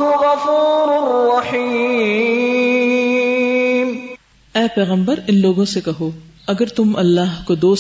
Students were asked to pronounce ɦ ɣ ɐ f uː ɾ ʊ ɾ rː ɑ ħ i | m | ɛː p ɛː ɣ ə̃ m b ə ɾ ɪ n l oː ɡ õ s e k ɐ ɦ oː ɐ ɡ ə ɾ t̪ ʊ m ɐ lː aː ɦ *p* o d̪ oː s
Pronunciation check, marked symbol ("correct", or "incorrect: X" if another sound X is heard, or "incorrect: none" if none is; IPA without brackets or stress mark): incorrect: k